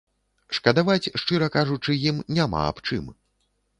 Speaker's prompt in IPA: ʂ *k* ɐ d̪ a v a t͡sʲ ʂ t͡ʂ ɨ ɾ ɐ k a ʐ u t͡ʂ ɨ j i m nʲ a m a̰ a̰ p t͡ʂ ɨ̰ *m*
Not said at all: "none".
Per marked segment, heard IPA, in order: k, m

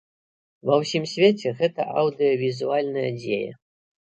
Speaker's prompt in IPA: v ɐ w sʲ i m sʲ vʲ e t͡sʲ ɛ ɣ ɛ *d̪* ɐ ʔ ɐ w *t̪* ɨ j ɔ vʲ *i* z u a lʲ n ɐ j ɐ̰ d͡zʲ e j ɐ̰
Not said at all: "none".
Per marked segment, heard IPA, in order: t̪, d̪, i

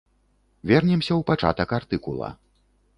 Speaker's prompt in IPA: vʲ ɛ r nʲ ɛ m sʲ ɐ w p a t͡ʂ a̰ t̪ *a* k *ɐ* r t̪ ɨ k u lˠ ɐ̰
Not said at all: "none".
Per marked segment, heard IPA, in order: ɐ, a

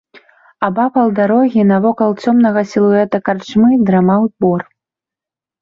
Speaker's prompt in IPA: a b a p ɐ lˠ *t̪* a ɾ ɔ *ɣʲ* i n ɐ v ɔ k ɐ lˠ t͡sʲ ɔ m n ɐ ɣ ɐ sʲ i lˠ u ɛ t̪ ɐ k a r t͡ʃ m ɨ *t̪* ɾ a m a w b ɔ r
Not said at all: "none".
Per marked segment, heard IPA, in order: d̪, ɣʲ, d̪

